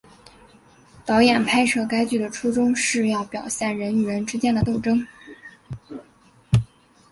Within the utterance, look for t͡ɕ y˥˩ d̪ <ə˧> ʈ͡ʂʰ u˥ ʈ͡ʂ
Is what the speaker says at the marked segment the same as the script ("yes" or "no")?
no